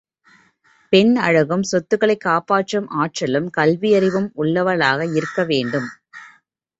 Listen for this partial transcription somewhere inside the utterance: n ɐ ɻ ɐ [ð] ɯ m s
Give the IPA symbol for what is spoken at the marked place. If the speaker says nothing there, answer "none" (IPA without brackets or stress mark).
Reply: ɣ